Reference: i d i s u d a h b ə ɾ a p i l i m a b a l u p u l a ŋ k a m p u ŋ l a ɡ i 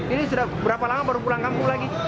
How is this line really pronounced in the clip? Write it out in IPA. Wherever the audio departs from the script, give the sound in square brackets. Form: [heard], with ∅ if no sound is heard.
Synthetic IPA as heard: i [n] i s u d a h b ə ɾ a p [a] l [a] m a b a [ɾ] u p u l a ŋ k a m p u ŋ l a ɡ i

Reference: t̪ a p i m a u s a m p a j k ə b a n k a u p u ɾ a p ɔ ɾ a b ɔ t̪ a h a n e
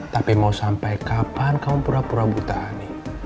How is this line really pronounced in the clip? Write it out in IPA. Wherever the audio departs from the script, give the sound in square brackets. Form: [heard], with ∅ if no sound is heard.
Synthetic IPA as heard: t̪ a p i m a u s a m p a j k [a] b a n k a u p u ɾ a p [u] ɾ a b [u] t̪ a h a n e

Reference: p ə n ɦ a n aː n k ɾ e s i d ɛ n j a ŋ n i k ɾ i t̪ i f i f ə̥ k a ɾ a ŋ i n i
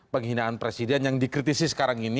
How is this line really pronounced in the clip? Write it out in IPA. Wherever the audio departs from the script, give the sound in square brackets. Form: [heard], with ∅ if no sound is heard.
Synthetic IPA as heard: p ə [ŋ] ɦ [i] n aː n [p] ɾ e s i d ɛ n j a ŋ [d] i k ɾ i t̪ i [s] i [s] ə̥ k a ɾ a ŋ i n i

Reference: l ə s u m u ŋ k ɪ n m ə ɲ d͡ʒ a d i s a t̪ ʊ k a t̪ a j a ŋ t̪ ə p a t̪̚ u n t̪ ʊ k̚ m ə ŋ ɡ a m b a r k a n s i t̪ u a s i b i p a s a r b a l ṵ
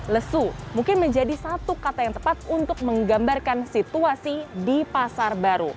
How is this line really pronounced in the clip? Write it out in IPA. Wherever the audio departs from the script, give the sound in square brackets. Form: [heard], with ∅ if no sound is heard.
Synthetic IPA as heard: l ə s u m u ŋ k ɪ n m ə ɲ d͡ʒ a d i s a t̪ [u] k a t̪ a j a ŋ t̪ ə p a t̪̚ u n t̪ ʊ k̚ m ə ŋ ɡ a m b a r k a n s i t̪ u a s i [d] i p a s a r b a [ɾ] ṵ

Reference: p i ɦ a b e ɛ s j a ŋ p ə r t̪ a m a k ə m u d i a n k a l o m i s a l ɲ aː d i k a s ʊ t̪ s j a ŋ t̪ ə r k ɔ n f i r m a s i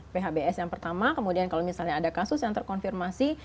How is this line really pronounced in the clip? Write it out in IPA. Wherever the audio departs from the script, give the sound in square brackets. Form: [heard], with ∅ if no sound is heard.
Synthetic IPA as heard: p [e] ɦ a b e ɛ s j a ŋ p ə r t̪ a m a k ə m u d i a n k a l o m i s a l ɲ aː d [a] k a s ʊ [∅] s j a ŋ t̪ ə r k ɔ n f i r m a s i

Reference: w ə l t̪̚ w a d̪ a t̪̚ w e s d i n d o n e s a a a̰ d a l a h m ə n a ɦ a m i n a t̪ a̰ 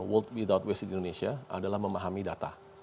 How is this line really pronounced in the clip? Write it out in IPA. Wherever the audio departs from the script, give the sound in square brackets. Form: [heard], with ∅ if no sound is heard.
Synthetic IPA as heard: w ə l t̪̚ w [i] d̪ a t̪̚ w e s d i n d o n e s [i] a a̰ d a l a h m ə [m] a ɦ a m i [d] a t̪ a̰

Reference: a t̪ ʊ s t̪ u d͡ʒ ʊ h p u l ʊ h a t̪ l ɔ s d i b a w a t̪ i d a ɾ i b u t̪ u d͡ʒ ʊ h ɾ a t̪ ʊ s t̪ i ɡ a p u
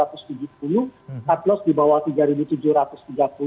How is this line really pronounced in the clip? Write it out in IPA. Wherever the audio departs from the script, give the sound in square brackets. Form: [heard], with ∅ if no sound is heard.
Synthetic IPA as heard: a t̪ ʊ s t̪ u d͡ʒ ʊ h p u l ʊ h a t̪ l ɔ s d i b a w a t̪ i [ɡ] a ɾ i b u t̪ u d͡ʒ ʊ h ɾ a t̪ ʊ s t̪ i ɡ a p u

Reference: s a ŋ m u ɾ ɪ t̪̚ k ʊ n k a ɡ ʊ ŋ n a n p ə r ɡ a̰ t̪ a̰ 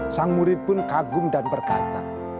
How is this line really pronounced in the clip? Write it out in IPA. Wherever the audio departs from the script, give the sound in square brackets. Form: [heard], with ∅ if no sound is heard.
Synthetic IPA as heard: s a ŋ m u ɾ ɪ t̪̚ [p] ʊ n k a ɡ ʊ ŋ [d] a n p ə r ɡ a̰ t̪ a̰

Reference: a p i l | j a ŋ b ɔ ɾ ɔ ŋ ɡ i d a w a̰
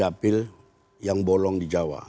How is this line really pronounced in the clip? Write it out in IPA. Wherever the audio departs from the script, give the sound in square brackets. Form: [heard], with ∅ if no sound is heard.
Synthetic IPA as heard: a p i l | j a ŋ b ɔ [l] ɔ ŋ [d] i [d͡ʒ] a w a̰

